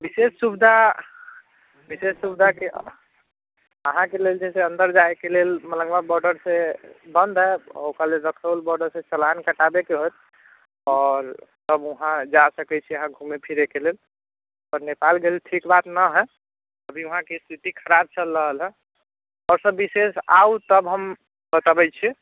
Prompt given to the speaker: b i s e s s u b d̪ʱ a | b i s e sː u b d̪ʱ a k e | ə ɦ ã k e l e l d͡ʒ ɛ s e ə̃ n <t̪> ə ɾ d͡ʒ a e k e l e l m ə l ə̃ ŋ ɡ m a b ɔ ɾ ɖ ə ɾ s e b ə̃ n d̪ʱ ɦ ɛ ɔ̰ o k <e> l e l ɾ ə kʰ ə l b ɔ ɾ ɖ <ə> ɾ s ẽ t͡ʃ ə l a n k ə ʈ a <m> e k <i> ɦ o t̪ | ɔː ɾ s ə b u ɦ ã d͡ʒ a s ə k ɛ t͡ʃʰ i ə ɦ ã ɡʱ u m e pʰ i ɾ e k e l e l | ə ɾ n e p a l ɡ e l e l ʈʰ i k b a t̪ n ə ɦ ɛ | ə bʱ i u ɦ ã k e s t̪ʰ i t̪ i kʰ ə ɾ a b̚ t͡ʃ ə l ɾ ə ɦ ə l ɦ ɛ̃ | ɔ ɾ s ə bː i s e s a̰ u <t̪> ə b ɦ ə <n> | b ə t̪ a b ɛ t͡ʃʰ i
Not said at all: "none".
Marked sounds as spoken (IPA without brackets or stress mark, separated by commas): d̪, a, ə, b, e, t̪, m